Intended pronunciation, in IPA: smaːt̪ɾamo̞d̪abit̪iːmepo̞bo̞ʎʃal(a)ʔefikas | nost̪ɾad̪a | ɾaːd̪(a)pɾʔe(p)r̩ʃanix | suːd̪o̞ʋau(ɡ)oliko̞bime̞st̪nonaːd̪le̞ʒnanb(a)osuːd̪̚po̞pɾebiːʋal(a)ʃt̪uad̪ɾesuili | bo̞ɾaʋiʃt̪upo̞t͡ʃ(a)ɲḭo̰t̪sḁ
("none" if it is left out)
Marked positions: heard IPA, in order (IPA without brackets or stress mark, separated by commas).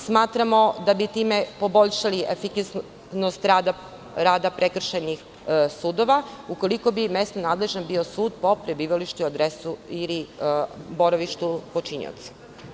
i, a, k, k, i, i, i